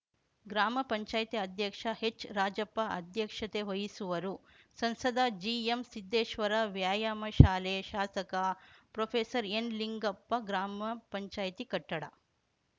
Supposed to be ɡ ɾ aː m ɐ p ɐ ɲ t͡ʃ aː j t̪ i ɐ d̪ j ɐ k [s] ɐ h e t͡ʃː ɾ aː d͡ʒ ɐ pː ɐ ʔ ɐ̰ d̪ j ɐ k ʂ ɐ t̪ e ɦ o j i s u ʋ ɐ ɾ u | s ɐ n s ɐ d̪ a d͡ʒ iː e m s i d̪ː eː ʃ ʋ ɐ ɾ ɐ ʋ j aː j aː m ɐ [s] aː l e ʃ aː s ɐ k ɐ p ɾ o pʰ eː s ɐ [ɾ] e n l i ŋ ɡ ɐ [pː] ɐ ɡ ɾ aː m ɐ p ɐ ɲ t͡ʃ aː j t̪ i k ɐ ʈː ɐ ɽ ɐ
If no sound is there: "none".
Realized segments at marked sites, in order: ʂ, ʃ, ɾ, pː

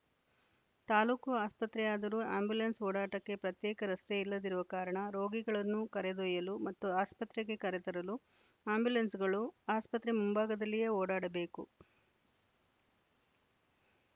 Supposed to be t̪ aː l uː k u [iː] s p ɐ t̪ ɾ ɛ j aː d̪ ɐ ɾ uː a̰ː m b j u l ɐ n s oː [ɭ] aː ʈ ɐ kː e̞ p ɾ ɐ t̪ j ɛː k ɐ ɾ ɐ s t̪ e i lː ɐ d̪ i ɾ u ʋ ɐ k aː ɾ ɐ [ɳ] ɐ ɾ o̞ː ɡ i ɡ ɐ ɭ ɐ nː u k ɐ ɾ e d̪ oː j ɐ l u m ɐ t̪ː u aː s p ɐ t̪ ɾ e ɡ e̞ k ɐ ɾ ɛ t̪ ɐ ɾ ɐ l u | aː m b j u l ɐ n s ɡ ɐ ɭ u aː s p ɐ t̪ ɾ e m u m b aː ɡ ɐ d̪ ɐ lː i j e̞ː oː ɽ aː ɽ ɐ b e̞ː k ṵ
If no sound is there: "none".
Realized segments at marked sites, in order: aː, ɽ, ɳ

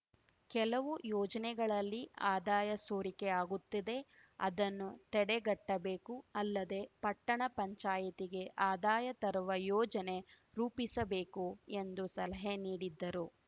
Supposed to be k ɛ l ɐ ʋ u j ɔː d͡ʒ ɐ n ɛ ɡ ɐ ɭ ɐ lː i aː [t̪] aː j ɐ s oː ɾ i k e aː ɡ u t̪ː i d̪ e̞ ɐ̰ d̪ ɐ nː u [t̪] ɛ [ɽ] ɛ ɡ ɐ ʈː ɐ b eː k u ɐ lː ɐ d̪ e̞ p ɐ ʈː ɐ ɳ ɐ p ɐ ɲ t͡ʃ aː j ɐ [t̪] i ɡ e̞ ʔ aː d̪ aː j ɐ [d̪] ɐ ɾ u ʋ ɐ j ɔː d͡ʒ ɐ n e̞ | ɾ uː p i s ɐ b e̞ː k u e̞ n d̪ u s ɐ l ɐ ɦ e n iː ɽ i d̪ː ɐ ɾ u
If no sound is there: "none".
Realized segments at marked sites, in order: d̪, t̪, ɽ, t̪, t̪

